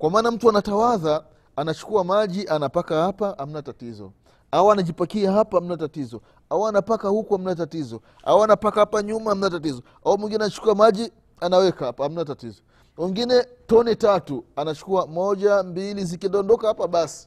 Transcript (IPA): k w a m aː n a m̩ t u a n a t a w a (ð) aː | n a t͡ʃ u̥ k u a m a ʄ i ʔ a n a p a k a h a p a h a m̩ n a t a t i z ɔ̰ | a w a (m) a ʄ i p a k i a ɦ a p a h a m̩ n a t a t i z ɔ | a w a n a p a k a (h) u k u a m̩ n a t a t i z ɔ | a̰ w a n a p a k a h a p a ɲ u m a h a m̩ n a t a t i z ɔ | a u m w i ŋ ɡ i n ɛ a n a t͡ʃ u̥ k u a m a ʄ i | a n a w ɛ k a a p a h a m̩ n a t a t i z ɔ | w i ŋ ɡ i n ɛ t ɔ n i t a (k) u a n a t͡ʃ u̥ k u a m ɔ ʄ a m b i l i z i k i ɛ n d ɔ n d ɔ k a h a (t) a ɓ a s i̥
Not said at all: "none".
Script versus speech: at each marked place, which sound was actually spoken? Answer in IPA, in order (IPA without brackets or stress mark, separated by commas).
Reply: ð, n, h, t, p